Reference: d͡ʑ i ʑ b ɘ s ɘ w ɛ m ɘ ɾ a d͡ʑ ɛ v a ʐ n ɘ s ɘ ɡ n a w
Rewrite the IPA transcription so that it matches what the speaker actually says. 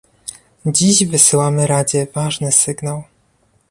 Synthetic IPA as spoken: d͡ʑ i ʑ v ɘ s ɘ w a m ɘ ɾ a d͡ʑ ɛ v a ʐ n ɘ s ɘ ɡ n a w